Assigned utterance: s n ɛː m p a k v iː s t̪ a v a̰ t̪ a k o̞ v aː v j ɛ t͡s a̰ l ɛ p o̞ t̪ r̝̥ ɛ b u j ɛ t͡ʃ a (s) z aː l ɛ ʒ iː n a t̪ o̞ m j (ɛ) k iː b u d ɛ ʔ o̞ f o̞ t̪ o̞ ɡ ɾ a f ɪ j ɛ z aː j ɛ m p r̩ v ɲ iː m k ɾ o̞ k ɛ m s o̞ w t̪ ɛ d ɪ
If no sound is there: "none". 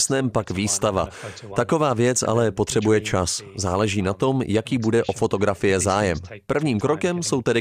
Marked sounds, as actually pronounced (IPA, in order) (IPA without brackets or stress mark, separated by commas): s, a